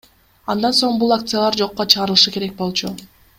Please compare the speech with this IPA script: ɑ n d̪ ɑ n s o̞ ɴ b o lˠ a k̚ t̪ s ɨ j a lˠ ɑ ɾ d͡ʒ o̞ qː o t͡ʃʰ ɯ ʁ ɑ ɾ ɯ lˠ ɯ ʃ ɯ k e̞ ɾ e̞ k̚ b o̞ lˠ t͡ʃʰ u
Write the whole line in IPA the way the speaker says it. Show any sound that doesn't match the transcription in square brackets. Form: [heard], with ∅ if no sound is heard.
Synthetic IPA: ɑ n d̪ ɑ n s o̞ ɴ b [u] lˠ a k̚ t̪ s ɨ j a lˠ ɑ ɾ d͡ʒ o̞ qː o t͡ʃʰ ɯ ʁ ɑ ɾ ɯ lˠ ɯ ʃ ɯ k e̞ ɾ e̞ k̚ b o̞ lˠ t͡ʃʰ u